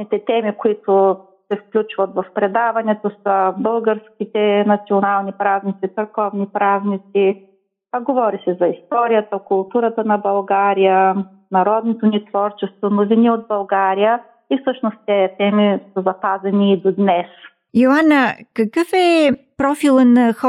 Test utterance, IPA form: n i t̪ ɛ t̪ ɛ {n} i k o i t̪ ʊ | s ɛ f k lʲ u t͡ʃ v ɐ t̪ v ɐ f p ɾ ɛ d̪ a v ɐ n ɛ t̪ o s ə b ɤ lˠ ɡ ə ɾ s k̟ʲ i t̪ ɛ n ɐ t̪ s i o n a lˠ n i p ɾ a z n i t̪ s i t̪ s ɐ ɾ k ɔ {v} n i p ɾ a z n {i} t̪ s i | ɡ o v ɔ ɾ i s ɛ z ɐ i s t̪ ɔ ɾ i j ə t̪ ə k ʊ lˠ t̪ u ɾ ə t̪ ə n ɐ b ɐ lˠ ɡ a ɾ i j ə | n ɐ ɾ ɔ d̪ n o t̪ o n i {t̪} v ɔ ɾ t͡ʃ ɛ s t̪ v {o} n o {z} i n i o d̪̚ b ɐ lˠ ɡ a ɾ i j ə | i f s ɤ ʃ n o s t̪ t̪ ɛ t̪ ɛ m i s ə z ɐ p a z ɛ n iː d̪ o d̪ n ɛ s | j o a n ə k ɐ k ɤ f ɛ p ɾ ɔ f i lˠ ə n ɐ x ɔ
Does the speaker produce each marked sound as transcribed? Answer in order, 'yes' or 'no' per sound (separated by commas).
no, yes, yes, yes, yes, no